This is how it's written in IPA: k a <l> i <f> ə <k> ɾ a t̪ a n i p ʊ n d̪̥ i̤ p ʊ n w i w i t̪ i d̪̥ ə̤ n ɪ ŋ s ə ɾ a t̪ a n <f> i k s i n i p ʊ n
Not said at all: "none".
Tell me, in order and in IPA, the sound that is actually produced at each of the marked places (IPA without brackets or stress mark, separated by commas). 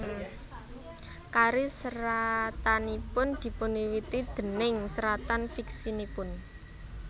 ɾ, s, none, f